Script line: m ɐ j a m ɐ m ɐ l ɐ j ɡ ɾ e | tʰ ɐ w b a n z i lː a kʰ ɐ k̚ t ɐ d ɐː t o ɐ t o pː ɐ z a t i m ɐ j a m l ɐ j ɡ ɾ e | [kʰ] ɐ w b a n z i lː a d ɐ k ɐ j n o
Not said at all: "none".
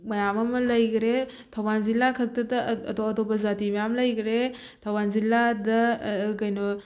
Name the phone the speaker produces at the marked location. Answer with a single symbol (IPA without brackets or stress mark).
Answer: tʰ